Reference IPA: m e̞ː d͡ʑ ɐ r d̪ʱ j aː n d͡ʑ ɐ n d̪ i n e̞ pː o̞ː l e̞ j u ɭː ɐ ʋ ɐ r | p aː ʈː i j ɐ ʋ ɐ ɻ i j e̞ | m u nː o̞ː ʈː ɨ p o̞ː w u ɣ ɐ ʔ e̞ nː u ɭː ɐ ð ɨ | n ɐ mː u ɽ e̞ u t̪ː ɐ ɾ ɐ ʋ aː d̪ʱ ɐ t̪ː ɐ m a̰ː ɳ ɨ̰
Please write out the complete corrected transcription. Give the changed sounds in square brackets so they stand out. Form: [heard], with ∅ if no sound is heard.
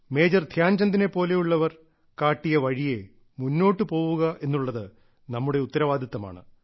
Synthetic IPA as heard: m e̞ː d͡ʑ ɐ r d̪ʱ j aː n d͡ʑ ɐ n d̪ i n e̞ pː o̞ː l e̞ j u ɭː ɐ ʋ ɐ r | [k] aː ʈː i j ɐ ʋ ɐ ɻ i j e̞ | m u nː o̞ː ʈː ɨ p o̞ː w u ɣ ɐ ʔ e̞ nː u ɭː ɐ ð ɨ | n ɐ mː u ɽ e̞ u t̪ː ɐ ɾ ɐ ʋ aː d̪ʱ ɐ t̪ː ɐ m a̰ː ɳ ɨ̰